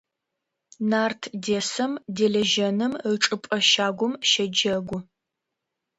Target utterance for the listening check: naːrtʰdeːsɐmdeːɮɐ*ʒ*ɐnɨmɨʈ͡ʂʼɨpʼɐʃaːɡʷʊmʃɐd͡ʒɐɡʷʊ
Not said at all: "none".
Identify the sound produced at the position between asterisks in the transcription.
ʒ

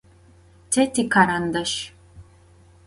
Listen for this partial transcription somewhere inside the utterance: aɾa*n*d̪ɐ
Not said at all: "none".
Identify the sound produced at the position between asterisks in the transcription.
n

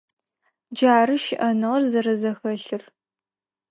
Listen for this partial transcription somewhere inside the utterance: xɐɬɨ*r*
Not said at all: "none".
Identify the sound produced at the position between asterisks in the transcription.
r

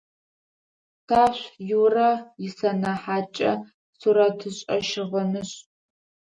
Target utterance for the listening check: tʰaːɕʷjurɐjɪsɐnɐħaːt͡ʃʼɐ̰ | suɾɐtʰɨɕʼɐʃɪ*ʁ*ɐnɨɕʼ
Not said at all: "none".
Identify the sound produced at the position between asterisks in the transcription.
ʁ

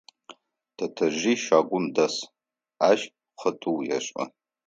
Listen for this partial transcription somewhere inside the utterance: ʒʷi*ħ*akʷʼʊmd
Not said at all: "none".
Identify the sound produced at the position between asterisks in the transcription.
ʃ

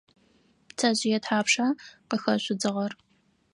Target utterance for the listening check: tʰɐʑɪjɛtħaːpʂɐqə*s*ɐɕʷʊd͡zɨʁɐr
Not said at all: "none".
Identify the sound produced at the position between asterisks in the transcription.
x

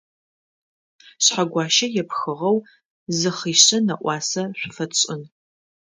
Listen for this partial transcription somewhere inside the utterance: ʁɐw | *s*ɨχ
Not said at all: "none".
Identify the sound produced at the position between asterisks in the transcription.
z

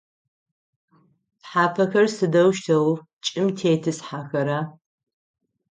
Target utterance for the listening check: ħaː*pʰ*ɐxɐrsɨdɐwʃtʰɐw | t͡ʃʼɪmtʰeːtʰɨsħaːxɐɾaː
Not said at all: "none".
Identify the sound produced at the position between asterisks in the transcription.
pʰ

